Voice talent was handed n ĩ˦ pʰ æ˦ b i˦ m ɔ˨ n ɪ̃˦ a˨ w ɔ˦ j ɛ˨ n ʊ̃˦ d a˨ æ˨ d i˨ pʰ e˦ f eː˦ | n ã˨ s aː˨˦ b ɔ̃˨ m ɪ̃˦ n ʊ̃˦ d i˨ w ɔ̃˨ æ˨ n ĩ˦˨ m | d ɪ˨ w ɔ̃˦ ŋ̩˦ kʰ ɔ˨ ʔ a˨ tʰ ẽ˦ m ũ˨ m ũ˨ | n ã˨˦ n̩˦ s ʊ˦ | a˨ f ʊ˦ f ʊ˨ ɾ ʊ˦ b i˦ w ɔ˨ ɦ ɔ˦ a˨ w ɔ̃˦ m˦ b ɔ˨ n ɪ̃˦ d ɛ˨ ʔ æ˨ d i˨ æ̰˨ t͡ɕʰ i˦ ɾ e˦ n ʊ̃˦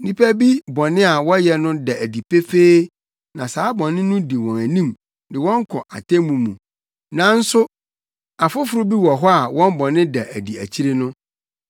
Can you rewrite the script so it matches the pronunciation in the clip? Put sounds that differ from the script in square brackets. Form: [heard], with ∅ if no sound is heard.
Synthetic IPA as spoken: n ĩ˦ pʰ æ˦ b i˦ [b] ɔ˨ n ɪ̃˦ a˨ w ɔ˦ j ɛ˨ n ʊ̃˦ d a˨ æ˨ d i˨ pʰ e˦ f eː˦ | n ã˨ s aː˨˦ b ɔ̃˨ [n] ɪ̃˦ n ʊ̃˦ d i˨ w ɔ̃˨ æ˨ n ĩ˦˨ m | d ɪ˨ w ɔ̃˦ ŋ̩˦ kʰ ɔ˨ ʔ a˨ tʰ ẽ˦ m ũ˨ m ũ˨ | n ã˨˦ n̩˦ s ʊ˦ | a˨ f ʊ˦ f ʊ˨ ɾ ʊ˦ b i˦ w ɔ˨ ɦ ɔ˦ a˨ w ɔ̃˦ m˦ b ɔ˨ n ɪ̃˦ d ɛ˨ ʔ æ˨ d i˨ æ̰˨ t͡ɕʰ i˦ ɾ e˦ n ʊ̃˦